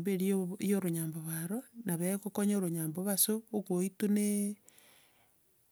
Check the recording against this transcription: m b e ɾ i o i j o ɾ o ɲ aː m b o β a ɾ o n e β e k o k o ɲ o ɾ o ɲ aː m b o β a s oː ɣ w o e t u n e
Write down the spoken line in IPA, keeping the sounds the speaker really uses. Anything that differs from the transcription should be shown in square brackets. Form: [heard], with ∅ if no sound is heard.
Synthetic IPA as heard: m b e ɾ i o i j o ɾ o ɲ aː m b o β a ɾ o n [a] β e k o k o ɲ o ɾ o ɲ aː m b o β a s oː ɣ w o [i] t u n e